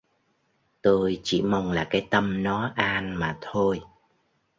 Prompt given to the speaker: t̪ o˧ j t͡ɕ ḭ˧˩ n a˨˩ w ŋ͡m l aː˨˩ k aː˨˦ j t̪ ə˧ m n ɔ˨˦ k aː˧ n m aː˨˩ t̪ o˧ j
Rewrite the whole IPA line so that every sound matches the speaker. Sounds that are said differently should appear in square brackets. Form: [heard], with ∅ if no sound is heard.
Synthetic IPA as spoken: t̪ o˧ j t͡ɕ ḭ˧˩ [m] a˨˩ w ŋ͡m l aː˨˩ k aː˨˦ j t̪ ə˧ m n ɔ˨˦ [ʔ] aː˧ n m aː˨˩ [t̪ʰ] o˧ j